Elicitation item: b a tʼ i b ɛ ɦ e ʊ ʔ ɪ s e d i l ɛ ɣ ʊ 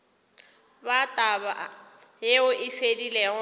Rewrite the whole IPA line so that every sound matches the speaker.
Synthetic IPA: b a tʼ a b a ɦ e ʊ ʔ ɪ f e d i l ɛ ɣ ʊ